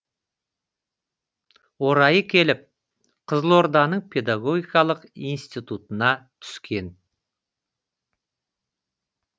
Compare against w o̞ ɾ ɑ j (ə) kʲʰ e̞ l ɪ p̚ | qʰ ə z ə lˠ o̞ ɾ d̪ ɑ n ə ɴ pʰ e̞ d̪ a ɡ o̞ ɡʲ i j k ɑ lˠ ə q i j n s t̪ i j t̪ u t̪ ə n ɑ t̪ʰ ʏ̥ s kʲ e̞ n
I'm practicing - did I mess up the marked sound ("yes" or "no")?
no